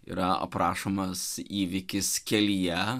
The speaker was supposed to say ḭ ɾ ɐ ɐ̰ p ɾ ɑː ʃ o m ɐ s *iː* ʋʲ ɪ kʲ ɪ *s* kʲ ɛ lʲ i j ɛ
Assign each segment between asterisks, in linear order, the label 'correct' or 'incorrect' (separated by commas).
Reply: correct, correct